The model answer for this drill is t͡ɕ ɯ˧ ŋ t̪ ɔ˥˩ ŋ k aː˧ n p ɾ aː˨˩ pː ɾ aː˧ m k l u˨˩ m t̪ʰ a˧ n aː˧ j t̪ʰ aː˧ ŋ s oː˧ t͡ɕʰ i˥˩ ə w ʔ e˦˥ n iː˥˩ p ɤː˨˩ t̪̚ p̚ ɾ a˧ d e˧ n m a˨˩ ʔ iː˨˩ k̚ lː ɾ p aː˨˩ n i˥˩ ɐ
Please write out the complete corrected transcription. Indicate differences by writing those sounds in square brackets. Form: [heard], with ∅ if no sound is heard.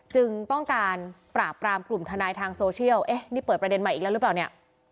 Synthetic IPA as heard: t͡ɕ ɯ˧ ŋ t̪ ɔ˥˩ ŋ k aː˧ n p ɾ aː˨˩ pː ɾ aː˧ m k l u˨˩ m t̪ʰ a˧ n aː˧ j t̪ʰ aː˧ ŋ s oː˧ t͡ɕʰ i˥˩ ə w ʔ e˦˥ n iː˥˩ p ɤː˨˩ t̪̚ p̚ ɾ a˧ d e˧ n m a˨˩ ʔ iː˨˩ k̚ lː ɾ p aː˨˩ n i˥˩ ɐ